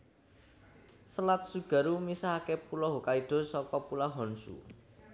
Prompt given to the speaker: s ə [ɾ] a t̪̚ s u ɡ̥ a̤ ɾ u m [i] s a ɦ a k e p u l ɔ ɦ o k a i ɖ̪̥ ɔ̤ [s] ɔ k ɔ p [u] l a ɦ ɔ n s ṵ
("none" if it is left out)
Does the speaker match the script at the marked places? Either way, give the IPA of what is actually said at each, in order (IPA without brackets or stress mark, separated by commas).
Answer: l, i, s, u